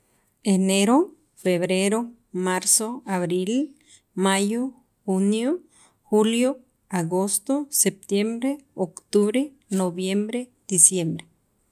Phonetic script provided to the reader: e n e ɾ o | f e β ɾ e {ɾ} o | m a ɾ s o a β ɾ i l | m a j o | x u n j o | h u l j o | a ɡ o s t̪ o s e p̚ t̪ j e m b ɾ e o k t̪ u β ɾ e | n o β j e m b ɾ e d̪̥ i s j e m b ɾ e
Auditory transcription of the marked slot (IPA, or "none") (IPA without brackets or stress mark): ɾ